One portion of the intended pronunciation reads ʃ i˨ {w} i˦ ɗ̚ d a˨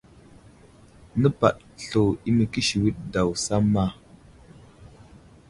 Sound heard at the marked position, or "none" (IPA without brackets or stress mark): w